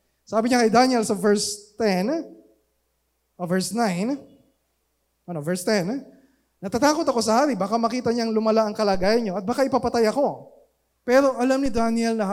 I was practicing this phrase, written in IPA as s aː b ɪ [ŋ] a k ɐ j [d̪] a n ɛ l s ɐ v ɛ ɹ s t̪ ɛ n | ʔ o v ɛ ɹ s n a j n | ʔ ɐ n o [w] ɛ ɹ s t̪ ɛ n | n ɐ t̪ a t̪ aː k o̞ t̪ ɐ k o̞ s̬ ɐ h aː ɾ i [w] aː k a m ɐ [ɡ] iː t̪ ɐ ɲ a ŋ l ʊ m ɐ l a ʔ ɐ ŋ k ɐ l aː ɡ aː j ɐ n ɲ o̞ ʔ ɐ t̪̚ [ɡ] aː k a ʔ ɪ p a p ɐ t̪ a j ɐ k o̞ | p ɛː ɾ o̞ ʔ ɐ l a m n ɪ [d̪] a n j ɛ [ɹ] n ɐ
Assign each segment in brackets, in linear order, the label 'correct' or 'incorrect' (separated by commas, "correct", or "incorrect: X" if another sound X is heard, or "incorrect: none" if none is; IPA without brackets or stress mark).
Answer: incorrect: ɲ, correct, incorrect: v, incorrect: b, incorrect: k, incorrect: b, correct, incorrect: l